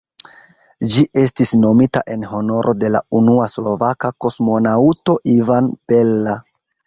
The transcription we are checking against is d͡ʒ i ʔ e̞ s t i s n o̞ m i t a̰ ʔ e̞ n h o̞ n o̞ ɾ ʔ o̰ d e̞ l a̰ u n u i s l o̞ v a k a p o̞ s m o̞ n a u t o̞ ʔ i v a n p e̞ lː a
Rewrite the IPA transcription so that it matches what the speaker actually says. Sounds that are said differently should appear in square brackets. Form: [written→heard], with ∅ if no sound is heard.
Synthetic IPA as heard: d͡ʒ i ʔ e̞ s t i s n o̞ m i t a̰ ʔ e̞ n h o̞ n o̞ ɾ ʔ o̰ d e̞ l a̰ u n u [i→a] s l o̞ v a k a [p→k] o̞ s m o̞ n a u t o̞ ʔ i v a n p e̞ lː a